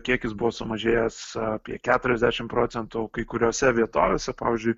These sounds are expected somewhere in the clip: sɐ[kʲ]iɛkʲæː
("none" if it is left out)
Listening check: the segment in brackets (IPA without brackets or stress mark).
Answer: pʲ